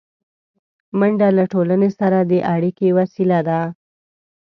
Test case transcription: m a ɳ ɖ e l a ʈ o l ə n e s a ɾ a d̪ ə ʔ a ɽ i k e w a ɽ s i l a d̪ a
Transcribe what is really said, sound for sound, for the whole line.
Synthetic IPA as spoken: m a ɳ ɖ a l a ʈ o l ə n e s a ɾ a d̪ ə ʔ a ɽ i k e w a s i l a d̪ a